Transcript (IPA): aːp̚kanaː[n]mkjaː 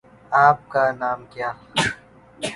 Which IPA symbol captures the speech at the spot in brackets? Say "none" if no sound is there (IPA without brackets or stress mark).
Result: none